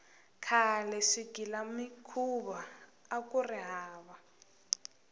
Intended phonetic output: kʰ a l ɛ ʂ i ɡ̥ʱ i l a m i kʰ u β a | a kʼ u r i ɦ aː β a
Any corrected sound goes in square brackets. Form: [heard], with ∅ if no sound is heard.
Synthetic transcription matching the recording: kʰ a l ɛ ʂ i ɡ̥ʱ i l a m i kʰ u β a | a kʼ u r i ɦ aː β a